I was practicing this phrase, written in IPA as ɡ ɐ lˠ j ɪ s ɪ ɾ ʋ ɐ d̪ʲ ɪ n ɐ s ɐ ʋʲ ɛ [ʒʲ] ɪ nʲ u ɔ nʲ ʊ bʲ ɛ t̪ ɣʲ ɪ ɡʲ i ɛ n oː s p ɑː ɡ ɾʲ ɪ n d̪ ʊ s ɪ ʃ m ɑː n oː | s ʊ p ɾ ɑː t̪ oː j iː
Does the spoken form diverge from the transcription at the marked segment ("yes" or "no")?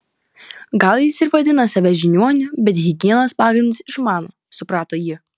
no